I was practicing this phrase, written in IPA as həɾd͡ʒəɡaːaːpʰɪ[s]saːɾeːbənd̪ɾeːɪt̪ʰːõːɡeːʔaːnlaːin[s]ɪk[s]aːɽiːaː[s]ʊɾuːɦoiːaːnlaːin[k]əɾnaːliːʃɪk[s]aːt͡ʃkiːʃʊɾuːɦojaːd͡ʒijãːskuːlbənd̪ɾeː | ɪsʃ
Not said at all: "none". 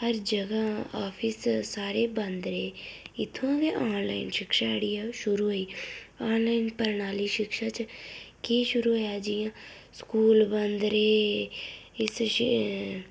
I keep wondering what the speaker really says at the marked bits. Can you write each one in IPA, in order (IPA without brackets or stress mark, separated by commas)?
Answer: s, ʃ, ʃ, ʃ, p, ʃ